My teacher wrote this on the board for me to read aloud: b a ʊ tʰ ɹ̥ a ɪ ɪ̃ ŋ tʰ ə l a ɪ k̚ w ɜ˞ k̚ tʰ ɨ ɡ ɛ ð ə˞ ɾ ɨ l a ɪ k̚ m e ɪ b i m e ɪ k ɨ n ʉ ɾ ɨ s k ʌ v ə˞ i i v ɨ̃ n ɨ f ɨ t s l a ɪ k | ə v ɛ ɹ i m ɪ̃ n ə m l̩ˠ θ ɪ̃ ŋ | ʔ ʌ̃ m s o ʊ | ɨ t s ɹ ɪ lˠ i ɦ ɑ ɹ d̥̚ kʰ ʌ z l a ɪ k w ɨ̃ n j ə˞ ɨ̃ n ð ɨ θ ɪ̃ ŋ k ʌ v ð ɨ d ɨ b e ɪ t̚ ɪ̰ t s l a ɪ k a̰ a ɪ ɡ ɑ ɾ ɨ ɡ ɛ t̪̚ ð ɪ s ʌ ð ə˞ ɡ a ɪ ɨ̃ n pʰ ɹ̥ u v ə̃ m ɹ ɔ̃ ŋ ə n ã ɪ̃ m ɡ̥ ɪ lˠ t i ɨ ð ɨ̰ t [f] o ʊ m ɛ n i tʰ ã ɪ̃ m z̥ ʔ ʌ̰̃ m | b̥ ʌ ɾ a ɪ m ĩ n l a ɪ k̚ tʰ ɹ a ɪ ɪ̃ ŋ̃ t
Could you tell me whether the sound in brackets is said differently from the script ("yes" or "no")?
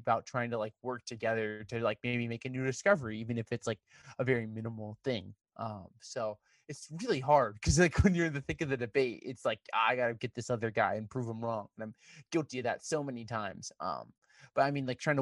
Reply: yes